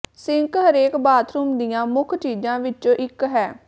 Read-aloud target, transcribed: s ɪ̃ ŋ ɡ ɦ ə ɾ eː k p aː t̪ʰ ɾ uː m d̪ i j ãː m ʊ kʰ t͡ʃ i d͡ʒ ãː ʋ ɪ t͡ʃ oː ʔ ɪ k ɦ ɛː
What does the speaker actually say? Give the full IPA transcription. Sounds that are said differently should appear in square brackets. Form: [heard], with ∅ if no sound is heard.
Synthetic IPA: s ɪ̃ ŋ [k] ɦ ə ɾ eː k [b] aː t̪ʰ ɾ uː m d̪ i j ãː m ʊ kʰ t͡ʃ [iː] d͡ʒ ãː ʋ ɪ t͡ʃ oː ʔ ɪ k ɦ ɛː